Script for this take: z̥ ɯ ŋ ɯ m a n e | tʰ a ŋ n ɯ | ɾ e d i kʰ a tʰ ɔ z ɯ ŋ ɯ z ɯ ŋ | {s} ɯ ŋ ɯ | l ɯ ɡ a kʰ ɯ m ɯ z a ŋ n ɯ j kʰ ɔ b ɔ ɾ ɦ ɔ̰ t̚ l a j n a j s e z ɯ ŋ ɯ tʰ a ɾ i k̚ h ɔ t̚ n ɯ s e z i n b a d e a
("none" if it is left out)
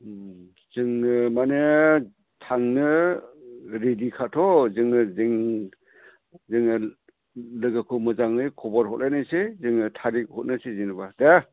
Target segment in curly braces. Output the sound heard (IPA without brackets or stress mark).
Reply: z